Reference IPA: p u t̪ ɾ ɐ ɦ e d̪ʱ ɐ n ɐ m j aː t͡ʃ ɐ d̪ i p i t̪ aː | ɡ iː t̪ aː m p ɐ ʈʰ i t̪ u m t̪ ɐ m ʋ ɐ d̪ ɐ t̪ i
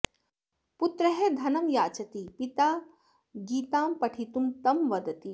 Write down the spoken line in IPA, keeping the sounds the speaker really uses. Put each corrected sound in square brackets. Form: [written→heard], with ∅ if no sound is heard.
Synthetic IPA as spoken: p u t̪ ɾ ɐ ɦ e d̪ʱ ɐ n ɐ m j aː t͡ʃ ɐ [d̪→t̪] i p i t̪ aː | ɡ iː t̪ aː m p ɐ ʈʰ i t̪ u m t̪ ɐ m ʋ ɐ d̪ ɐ t̪ i

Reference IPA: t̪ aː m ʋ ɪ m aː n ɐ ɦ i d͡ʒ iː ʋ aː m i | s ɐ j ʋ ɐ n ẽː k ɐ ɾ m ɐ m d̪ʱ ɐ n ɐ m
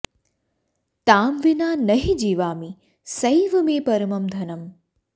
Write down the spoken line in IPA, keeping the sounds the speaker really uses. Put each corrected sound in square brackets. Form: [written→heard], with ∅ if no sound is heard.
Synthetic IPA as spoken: t̪ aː m ʋ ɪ [m→n] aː n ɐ ɦ i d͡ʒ iː ʋ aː m i | s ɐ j ʋ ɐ [n→m] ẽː [k→p] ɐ ɾ m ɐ m d̪ʱ ɐ n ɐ m

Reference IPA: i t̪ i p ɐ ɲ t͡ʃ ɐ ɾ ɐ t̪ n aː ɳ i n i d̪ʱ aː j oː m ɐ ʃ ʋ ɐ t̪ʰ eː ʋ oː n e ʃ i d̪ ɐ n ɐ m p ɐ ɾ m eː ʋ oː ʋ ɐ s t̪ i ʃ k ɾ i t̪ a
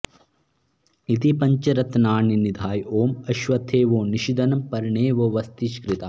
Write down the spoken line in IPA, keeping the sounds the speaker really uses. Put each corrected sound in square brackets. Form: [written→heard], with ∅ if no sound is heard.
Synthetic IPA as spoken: i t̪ i p ɐ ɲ t͡ʃ ɐ ɾ ɐ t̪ n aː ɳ i n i d̪ʱ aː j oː m ɐ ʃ ʋ ɐ t̪ʰ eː ʋ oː n [e→i] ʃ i d̪ ɐ n ɐ m p ɐ ɾ [m→ɳ] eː ʋ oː ʋ ɐ s t̪ i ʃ k ɾ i t̪ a

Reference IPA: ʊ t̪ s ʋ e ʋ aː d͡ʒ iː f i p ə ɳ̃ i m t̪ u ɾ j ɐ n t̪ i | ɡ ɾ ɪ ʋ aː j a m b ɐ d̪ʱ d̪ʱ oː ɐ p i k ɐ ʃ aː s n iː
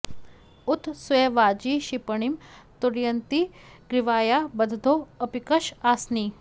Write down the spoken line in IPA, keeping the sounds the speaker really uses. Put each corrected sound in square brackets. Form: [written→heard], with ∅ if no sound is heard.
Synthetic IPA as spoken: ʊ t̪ s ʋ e ʋ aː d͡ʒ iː [f→ʃ] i p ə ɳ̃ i m t̪ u ɾ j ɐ n t̪ i | ɡ ɾ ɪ ʋ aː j a [m→∅] b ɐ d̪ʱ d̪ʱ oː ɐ p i k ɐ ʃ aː s n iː

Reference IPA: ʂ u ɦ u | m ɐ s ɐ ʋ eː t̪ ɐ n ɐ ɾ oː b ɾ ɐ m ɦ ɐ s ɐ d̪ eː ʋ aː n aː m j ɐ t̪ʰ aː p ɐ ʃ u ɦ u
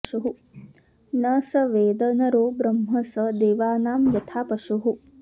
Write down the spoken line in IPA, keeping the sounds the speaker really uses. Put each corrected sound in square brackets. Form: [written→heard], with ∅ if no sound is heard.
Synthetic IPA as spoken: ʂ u ɦ u | [m→n] ɐ s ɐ ʋ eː [t̪→d̪] ɐ n ɐ ɾ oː b ɾ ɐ m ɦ ɐ s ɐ d̪ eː ʋ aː n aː m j ɐ t̪ʰ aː p ɐ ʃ u ɦ u

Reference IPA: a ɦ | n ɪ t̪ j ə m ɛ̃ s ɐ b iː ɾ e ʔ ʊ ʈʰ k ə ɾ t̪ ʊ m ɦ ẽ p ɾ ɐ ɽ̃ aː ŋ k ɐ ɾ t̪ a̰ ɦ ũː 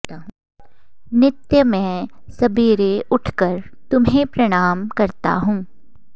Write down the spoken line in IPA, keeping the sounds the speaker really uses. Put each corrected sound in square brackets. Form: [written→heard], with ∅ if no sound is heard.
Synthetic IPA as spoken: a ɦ | n ɪ t̪ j ə m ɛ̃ s ɐ b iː ɾ e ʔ ʊ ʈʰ k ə ɾ t̪ ʊ m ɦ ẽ p ɾ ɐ ɽ̃ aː [ŋ→m] k ɐ ɾ t̪ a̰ ɦ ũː

